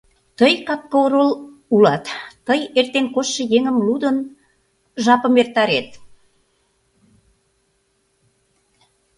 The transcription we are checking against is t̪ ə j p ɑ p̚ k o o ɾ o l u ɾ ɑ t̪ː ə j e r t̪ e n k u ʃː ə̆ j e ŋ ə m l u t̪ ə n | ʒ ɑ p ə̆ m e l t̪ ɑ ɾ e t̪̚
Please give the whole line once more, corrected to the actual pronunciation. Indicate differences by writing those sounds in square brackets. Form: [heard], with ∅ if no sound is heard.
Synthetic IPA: t̪ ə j [k] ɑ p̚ k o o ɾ o l u [l] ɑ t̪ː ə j e r t̪ e n k [o] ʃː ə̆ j e ŋ ə m l u [d̪] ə n | ʒ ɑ p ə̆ m e [r] t̪ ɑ ɾ e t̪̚